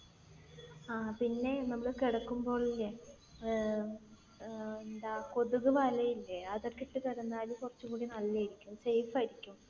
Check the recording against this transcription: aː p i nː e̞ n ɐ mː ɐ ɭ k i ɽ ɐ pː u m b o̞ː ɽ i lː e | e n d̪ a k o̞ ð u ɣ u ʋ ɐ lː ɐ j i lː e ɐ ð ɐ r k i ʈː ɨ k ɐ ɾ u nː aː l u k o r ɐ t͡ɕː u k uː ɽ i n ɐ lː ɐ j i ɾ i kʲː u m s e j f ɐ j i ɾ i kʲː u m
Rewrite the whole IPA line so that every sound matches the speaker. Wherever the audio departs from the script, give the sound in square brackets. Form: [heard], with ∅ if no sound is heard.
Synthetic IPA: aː p i nː e̞ n ɐ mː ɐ ɭ k i ɽ ɐ [kː] u m b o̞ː [ɭ] i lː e | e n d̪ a k o̞ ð u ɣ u ʋ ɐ [l] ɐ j i lː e ɐ ð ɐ r k i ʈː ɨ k ɐ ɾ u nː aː l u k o r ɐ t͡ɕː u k uː ɽ i n ɐ lː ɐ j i ɾ i kʲː u m s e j f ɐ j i ɾ i kʲː u m